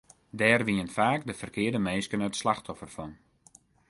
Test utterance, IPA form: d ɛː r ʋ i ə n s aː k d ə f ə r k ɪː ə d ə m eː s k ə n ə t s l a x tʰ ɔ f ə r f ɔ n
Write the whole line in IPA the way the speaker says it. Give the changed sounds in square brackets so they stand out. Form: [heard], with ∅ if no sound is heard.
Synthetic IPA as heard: d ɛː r ʋ i ə n [f] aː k d ə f ə r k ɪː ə d ə m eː s k ə n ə t s l a x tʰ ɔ f ə r f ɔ n